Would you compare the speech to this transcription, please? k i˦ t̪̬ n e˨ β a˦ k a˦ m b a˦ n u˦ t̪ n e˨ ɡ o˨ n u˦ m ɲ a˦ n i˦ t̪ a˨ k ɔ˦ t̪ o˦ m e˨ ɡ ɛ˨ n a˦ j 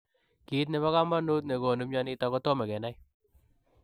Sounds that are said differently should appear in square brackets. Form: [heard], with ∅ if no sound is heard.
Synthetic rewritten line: k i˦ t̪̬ n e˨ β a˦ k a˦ m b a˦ n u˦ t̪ n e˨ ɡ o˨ n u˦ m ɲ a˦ n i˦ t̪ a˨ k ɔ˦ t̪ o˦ m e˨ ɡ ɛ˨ n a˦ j